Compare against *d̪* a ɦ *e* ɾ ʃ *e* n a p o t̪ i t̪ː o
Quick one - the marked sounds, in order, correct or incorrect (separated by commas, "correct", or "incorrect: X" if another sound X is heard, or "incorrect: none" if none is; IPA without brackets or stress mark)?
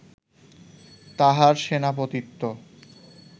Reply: incorrect: t̪, incorrect: a, correct